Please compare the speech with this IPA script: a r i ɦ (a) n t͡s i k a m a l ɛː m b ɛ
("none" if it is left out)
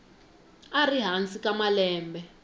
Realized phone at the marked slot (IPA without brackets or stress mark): a